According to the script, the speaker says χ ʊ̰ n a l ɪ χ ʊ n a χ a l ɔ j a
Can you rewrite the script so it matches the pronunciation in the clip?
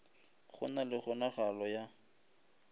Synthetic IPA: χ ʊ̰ n a l ɪ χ ʊ n a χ a l ɔ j a